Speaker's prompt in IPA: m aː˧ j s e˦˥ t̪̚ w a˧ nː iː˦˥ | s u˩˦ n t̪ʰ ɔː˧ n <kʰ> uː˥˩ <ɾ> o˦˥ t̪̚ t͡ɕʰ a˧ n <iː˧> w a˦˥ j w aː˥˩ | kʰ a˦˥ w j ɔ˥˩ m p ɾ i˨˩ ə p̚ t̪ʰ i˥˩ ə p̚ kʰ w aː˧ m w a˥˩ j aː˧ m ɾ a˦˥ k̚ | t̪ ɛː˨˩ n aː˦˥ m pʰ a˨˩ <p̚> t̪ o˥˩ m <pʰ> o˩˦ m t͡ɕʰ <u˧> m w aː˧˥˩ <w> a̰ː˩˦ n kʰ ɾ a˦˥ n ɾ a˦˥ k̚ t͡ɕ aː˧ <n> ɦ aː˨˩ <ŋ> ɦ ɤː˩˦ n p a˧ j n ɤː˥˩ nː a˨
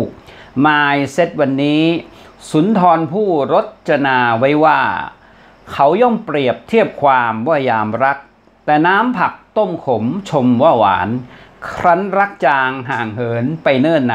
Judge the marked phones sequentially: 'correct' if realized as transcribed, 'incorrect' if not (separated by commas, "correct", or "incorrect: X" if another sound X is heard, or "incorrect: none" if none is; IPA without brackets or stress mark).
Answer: incorrect: pʰ, correct, incorrect: aː˧, incorrect: k̚, incorrect: kʰ, incorrect: o˧, correct, incorrect: ŋ, correct